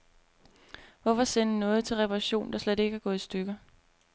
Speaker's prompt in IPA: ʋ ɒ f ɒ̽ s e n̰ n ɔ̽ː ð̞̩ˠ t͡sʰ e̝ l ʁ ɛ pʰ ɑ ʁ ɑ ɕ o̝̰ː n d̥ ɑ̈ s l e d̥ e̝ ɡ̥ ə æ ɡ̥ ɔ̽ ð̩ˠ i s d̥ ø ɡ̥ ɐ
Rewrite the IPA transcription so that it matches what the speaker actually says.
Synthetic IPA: ʋ ɒ f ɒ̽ s e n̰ n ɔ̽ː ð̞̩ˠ t͡sʰ e̝ l ʁ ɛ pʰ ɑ ʁ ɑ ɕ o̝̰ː n d̥ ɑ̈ s l e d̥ e̝ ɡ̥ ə æ ɡ̥ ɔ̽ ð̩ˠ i s d̥ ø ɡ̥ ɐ